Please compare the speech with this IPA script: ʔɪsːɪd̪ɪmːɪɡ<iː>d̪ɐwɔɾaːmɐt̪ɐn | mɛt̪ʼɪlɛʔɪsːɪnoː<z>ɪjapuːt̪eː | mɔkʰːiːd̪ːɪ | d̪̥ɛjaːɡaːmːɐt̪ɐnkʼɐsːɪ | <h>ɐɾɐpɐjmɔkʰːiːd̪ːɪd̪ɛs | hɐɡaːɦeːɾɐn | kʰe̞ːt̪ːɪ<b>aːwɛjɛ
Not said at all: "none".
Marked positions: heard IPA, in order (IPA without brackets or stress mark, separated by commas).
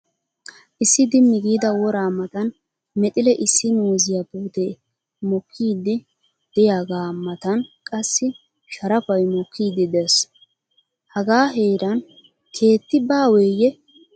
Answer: iː, z, ʃ, b